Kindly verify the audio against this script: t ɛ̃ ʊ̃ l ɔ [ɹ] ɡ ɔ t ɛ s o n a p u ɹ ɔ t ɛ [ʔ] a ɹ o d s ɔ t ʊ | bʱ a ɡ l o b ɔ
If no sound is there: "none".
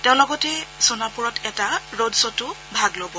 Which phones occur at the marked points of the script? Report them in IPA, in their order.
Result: none, t

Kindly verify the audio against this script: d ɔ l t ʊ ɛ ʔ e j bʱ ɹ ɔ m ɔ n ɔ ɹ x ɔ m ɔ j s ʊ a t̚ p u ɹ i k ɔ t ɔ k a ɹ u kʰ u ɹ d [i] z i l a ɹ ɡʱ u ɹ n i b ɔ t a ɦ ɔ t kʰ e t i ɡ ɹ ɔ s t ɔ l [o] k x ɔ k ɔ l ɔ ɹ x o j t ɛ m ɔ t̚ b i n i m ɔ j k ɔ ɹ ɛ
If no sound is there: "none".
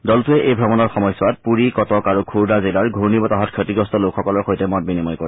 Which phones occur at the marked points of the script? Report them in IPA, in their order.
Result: a, o

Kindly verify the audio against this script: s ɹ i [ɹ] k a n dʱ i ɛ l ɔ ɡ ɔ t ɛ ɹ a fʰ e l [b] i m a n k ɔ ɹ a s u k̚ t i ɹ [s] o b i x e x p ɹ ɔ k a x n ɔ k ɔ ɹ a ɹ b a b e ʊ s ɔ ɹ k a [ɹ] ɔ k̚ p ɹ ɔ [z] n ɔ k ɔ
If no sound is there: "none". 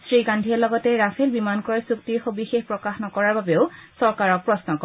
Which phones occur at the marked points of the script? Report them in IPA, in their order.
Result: none, b, x, ɹ, s

